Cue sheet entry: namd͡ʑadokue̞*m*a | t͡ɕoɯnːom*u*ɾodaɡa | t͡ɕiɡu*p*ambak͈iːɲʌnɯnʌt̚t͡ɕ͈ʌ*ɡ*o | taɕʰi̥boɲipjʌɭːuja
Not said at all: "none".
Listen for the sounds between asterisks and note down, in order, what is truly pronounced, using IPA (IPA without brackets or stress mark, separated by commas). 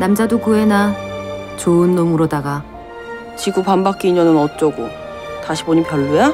n, ɯ, p, ɡ